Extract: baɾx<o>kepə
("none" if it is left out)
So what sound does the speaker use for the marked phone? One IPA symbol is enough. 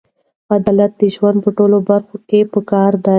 o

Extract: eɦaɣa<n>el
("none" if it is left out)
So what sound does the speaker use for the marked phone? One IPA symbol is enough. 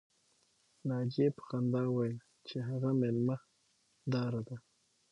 m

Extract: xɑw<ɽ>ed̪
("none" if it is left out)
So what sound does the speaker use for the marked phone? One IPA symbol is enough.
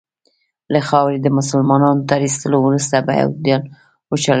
ɾ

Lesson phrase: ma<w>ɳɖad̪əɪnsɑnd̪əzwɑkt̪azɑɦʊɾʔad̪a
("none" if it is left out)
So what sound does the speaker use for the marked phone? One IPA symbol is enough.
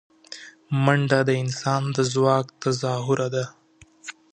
none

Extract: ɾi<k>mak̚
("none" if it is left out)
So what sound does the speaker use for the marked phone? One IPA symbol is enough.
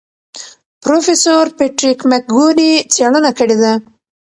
k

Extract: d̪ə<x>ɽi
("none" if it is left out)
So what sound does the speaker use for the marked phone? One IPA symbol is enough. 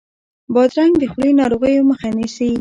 x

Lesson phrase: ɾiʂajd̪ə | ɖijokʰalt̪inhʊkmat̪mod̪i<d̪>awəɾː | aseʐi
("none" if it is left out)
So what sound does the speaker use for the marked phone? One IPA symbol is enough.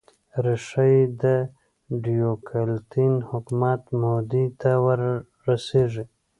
t̪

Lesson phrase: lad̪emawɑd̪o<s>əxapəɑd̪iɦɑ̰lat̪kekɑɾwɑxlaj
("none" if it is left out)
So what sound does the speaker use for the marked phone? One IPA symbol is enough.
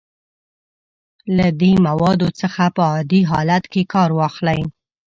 t͡s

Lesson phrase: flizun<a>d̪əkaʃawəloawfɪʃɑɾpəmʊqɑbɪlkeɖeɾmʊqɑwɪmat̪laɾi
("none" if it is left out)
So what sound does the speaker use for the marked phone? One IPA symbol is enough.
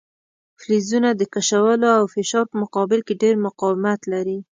a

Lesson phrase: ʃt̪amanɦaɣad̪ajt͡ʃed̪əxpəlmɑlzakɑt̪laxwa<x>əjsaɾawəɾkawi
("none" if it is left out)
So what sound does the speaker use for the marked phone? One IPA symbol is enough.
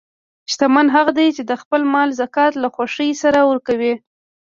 ʂ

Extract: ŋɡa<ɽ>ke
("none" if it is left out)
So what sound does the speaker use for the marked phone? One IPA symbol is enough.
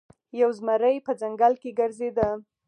l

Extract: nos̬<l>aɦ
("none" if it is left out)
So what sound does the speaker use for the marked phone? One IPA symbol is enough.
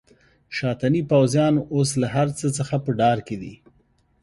l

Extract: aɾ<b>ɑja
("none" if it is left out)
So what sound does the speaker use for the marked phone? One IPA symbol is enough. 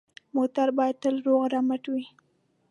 b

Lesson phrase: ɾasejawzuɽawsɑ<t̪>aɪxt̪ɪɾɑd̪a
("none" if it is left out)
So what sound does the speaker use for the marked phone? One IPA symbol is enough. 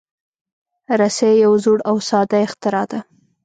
d̪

